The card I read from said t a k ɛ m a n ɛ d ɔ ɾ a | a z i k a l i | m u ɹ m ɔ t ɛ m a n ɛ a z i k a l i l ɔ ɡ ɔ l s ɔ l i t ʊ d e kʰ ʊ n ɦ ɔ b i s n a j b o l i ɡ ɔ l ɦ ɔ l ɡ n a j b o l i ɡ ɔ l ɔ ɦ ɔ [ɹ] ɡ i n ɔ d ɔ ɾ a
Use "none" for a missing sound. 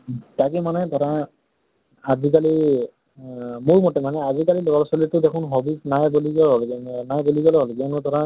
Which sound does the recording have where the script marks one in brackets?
l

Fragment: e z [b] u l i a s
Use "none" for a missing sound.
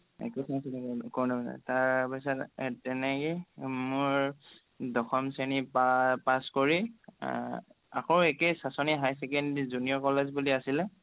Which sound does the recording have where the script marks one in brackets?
b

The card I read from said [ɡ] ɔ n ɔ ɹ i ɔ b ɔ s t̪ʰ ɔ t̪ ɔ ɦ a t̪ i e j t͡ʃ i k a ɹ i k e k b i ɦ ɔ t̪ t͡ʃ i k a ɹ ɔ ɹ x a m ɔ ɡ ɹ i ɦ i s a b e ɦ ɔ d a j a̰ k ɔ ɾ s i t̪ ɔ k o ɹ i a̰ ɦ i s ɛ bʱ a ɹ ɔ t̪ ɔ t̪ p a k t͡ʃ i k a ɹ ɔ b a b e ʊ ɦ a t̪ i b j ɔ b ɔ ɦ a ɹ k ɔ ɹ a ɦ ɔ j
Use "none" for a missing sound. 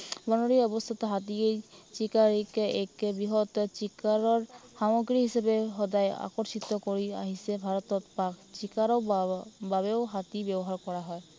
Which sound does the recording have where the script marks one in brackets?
b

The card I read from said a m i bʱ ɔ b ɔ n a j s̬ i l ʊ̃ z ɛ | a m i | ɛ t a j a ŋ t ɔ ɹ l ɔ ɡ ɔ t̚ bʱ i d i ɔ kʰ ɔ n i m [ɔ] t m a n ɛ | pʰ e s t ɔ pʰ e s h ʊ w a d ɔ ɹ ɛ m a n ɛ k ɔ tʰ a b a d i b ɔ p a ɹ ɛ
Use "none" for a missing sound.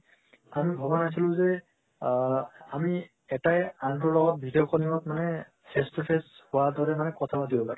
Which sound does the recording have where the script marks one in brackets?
ɔ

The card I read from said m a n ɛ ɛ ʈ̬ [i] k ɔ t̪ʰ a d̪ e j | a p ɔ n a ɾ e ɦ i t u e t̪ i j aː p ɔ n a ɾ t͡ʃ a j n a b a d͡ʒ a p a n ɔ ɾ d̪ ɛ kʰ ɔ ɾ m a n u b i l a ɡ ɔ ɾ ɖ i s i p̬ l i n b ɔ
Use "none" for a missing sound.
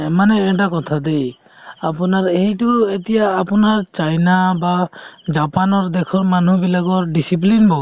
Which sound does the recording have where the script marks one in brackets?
a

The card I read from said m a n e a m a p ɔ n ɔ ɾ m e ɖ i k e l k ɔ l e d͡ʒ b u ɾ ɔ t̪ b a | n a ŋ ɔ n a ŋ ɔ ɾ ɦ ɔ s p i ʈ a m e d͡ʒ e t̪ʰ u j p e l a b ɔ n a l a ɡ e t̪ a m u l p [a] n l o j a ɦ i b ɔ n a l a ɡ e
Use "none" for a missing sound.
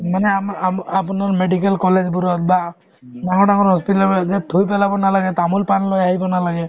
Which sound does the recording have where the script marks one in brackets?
a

